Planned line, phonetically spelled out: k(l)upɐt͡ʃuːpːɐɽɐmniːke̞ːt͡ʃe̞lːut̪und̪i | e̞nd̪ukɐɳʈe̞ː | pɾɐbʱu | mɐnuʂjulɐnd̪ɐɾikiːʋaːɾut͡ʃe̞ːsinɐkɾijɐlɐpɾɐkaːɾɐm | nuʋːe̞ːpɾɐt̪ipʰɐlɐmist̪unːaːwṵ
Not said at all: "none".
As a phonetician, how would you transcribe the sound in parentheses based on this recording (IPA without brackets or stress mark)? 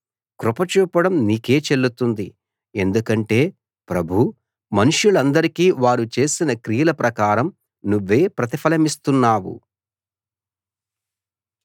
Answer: ɾ